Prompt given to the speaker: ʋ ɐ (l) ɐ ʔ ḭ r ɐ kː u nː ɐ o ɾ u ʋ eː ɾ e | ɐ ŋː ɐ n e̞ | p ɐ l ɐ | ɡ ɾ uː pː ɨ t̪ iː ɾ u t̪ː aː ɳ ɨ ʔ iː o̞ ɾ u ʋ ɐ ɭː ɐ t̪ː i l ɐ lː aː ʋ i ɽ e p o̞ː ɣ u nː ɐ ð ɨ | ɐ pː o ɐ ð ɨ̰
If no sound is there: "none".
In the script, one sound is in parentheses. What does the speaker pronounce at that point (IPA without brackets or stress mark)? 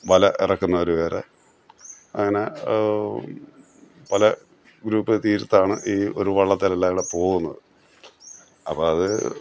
l